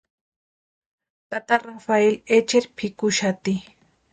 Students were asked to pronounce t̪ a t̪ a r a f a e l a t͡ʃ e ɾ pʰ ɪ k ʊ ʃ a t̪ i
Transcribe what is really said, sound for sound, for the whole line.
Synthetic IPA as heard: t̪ a t̪ a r a f a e l e t͡ʃ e ɾ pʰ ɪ k ʊ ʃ a t̪ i